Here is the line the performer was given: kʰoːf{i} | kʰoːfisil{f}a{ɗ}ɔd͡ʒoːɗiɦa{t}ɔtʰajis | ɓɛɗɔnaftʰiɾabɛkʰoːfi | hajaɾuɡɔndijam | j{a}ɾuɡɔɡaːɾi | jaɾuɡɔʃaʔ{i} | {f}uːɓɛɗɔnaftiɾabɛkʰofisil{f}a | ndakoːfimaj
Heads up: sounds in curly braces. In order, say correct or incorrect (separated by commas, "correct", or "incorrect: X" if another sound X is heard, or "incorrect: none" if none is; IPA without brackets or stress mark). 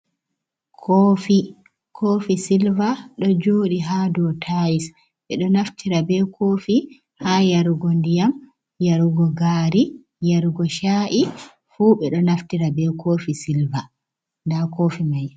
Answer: correct, incorrect: v, correct, incorrect: d, correct, correct, correct, incorrect: v